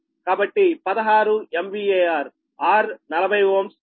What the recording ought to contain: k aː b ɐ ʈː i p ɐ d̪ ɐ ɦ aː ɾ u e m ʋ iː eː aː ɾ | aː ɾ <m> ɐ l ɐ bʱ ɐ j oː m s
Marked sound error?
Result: yes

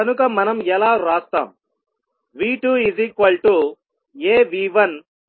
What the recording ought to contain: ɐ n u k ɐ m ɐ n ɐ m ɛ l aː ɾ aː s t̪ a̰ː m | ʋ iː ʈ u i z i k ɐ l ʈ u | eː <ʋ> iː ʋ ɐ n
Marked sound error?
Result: no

